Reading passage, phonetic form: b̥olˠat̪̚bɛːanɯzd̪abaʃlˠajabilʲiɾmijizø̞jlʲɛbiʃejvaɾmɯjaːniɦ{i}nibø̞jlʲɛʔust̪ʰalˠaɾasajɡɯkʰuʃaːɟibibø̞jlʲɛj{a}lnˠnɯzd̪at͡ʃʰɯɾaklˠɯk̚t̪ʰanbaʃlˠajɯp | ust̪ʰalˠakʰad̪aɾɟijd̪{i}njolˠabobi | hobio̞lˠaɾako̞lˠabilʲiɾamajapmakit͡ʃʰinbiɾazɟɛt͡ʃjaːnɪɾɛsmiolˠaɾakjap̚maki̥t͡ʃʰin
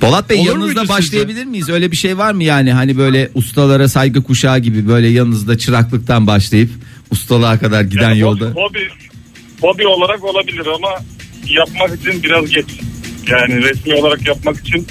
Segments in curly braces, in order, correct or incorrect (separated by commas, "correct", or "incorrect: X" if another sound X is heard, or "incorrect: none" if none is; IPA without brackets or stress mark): incorrect: a, correct, incorrect: æ